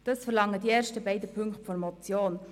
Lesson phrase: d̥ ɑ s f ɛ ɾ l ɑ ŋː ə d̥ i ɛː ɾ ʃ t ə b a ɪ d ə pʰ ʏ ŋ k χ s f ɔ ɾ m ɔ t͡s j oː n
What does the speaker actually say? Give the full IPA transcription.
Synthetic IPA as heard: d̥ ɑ s f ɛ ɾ l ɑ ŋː ə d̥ i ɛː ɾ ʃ t ə b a ɪ d ə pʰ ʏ ŋ k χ t f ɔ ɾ m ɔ t͡s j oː n